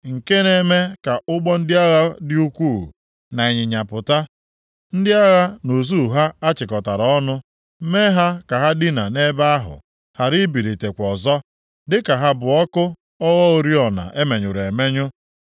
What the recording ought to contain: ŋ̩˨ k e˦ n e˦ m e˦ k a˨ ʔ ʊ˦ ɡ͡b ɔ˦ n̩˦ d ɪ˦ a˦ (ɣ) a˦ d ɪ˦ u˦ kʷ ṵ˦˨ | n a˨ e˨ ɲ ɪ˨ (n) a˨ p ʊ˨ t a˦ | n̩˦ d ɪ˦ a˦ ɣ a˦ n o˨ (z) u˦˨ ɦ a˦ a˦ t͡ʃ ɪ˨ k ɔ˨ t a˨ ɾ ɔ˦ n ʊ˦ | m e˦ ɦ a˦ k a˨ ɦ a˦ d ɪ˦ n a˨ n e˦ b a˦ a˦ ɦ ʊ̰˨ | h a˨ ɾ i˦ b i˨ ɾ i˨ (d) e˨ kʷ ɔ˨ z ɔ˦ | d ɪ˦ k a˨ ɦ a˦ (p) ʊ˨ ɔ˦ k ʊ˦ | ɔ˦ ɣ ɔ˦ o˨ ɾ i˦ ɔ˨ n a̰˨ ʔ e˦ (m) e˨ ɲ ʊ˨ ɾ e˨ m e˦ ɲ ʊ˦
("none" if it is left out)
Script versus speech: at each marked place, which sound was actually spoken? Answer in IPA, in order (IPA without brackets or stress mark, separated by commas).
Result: ɣ, ɲ, z, t, b, m